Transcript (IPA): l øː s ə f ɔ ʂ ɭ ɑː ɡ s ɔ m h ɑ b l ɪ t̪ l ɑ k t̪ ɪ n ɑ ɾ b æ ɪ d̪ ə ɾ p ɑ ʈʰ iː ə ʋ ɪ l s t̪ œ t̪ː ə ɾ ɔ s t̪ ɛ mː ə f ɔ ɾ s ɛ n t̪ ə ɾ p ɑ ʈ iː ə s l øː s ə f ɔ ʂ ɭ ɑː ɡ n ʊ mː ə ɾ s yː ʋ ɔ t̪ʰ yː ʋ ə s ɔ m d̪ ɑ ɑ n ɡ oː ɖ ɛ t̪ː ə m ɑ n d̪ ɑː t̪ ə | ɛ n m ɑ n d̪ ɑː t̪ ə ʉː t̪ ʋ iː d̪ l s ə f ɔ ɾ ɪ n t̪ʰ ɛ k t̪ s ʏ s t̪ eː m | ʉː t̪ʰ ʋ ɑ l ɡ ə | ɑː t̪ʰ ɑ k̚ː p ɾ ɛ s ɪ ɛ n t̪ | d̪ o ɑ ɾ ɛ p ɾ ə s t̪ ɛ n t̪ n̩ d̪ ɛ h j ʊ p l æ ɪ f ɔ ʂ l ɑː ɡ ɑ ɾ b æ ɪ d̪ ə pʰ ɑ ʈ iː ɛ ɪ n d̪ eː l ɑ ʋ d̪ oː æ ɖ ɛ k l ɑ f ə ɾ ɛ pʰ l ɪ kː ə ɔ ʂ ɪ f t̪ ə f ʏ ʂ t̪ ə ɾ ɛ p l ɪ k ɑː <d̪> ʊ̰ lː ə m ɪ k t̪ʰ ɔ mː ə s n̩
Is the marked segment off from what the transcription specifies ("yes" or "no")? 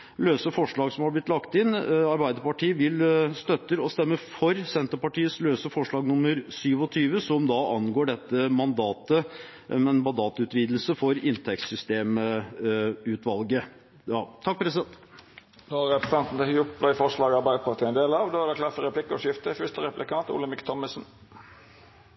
yes